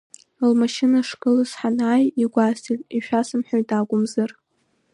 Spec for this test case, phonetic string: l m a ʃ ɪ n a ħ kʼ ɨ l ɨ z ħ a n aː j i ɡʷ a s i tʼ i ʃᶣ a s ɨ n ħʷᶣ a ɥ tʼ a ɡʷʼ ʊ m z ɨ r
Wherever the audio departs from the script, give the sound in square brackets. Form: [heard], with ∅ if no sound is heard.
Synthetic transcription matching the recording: l m a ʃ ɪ n a [ʂ] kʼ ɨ l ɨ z ħ a n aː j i ɡʷ a s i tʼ i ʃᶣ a s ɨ [m] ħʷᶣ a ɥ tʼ a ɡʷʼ ʊ m z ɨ r